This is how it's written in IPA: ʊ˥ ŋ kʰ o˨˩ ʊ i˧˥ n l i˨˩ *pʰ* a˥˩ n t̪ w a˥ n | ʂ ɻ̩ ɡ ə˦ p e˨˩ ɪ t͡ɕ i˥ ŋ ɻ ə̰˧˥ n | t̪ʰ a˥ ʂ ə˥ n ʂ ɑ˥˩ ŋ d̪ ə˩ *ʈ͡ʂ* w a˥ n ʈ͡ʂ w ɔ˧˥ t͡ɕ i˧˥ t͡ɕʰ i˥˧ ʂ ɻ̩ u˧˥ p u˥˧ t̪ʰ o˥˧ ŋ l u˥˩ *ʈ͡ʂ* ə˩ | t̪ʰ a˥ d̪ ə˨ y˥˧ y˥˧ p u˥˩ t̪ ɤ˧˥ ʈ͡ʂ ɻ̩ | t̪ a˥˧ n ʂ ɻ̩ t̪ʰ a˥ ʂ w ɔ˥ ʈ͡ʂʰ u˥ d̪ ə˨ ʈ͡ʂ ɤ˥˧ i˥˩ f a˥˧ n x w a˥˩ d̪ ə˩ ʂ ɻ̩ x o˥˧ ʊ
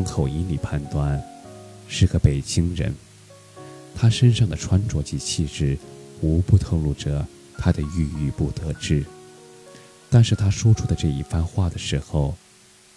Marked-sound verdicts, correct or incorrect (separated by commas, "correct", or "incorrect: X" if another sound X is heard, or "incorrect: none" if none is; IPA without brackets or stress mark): correct, incorrect: ʈ͡ʂʰ, correct